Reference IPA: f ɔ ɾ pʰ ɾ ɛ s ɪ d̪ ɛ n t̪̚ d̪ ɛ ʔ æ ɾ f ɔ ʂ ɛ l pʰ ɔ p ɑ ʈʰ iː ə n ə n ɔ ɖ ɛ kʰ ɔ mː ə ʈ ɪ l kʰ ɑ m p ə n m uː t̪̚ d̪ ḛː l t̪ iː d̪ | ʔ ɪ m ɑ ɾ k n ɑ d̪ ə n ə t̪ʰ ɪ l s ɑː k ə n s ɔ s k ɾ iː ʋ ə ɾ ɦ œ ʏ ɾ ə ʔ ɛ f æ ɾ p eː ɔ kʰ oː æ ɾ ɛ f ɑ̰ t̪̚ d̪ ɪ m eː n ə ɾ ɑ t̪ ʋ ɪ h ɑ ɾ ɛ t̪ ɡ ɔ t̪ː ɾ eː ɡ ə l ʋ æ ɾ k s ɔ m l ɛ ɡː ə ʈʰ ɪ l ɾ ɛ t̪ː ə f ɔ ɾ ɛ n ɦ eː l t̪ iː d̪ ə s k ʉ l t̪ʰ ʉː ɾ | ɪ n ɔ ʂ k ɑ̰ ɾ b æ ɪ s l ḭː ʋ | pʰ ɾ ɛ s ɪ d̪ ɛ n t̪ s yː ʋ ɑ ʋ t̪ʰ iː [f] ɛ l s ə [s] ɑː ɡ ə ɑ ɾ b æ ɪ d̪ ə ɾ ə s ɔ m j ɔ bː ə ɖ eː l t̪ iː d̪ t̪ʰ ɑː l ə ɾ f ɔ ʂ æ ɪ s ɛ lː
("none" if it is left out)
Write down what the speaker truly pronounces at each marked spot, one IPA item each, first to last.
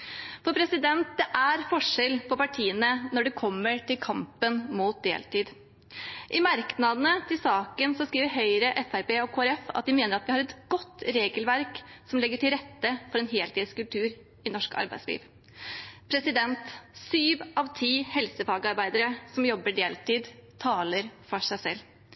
h, f

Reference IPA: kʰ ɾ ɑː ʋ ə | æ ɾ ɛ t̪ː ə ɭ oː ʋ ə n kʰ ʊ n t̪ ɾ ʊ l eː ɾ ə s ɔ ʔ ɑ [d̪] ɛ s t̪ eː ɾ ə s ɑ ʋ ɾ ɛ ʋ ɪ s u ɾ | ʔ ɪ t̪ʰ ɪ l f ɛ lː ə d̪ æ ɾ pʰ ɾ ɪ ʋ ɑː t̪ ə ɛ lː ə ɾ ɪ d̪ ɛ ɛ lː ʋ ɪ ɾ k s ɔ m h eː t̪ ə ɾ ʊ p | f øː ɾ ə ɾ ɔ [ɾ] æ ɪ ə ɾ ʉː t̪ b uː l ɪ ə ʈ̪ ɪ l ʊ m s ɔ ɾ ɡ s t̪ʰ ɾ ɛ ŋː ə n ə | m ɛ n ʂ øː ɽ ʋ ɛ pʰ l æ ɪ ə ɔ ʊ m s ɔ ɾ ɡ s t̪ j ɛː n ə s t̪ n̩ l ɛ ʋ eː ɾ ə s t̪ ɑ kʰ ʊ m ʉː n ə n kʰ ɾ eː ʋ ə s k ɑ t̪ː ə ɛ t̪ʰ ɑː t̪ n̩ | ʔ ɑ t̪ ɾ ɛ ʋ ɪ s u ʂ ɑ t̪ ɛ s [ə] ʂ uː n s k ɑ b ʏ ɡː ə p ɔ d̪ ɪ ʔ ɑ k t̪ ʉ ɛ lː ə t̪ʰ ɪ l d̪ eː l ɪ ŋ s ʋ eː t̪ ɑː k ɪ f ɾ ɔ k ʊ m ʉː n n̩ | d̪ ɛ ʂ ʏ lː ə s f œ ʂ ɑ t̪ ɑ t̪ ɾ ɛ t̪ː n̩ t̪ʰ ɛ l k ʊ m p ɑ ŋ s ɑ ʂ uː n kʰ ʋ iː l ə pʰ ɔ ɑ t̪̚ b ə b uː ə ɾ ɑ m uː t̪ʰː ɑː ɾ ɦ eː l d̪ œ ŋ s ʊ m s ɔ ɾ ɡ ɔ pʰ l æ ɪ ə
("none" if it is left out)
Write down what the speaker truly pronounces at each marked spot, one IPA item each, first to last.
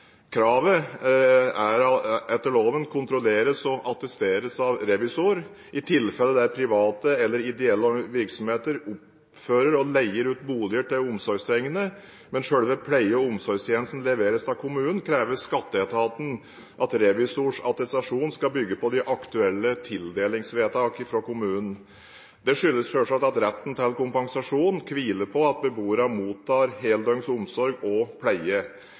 t̪, l, ɑ

